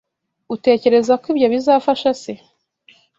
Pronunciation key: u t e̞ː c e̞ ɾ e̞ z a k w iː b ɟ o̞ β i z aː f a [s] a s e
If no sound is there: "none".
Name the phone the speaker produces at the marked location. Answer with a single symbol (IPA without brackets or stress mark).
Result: ʃ